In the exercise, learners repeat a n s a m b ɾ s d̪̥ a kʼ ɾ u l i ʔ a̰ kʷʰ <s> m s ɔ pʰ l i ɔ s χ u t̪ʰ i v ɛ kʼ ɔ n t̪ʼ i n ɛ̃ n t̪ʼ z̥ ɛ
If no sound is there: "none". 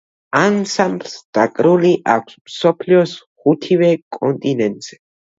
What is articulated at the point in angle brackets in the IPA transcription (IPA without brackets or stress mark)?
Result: s